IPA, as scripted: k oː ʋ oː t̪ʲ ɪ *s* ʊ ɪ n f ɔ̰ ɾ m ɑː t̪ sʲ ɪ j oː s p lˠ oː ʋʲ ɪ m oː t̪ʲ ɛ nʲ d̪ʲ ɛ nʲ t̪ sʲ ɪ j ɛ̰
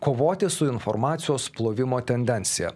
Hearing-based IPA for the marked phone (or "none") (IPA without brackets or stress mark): s